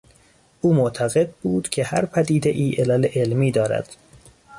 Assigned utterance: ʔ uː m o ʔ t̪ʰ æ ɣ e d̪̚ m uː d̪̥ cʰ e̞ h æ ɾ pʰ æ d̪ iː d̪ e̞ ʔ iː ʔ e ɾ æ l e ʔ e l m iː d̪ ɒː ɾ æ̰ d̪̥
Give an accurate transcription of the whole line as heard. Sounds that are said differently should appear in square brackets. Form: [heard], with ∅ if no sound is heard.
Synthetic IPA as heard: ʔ uː m o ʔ t̪ʰ æ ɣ e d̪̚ [b] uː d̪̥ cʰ e̞ h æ ɾ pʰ æ d̪ iː d̪ e̞ ʔ iː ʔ e [l] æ l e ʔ e l m iː d̪ ɒː ɾ æ̰ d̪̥